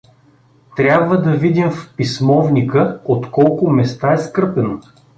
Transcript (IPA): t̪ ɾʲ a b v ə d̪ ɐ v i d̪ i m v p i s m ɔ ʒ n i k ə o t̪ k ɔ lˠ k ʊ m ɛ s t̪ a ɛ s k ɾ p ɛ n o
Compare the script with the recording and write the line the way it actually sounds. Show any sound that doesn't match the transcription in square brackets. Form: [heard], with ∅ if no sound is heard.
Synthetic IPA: t̪ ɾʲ a b v ə d̪ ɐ v i d̪ i m [f] p i s m ɔ [v] n i k ə o t̪ k ɔ lˠ k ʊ m ɛ s t̪ a ɛ s k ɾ p ɛ n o